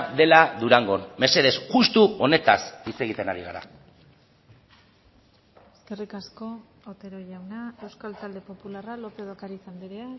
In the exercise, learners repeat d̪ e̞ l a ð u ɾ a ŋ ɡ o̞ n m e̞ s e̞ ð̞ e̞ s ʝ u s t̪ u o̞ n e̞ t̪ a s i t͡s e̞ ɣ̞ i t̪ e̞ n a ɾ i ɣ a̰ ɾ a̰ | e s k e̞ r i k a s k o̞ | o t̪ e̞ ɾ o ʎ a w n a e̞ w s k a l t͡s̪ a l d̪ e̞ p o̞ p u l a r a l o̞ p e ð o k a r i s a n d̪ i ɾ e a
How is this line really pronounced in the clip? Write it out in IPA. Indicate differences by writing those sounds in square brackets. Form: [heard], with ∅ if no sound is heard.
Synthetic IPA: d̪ e̞ l a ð u ɾ a ŋ ɡ o̞ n m e̞ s e̞ ð̞ e̞ s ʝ u s t̪ u o̞ n e̞ t̪ a s i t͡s e̞ ɣ̞ i t̪ e̞ n a ɾ i ɣ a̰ ɾ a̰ | e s k e̞ r i k a s k o̞ | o t̪ e̞ ɾ o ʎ a w n a e̞ w s k a l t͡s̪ a l d̪ e̞ p o̞ p u l a r a l o̞ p e ð o k a [ɾ] i s a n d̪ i ɾ e a